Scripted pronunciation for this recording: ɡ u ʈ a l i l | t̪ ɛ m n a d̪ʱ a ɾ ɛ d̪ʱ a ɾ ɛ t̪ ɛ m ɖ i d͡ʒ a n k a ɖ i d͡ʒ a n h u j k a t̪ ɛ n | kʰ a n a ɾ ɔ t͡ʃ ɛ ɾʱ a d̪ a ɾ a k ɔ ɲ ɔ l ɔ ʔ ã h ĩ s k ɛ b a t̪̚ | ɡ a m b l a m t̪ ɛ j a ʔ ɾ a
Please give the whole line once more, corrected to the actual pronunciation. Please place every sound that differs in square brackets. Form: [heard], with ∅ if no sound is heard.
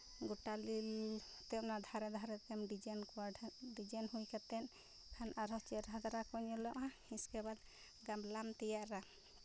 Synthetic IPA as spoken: ɡ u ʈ a l i l | t̪ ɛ m n a d̪ʱ a ɾ ɛ d̪ʱ a ɾ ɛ t̪ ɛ m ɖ i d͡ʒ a n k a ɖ i d͡ʒ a n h u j k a t̪ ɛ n | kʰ a n a ɾ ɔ t͡ʃ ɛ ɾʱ a d̪ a ɾ a k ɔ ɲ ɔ l ɔ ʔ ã h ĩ s k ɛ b a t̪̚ | ɡ a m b l a m t̪ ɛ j a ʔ ɾ a